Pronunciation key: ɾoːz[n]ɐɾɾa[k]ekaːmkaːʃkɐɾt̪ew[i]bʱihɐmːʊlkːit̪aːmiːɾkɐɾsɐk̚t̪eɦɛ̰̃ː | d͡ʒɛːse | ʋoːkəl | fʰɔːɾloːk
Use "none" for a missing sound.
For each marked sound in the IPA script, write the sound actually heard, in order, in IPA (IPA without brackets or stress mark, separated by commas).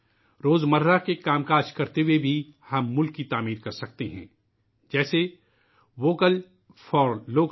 m, k, e